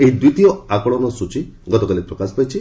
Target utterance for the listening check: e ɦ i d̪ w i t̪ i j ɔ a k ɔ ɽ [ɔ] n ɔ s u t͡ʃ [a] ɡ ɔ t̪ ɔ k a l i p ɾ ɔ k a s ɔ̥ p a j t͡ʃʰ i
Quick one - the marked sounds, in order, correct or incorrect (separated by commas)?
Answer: correct, incorrect